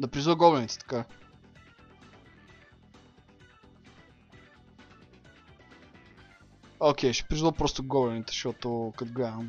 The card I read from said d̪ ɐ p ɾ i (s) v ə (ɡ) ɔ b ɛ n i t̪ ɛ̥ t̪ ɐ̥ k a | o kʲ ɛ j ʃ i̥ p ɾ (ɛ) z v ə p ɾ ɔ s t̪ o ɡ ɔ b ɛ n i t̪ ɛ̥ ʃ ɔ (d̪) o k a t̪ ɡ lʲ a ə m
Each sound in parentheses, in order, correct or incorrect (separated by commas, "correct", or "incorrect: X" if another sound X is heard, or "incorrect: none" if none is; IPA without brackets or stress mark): incorrect: z, correct, incorrect: i, incorrect: t̪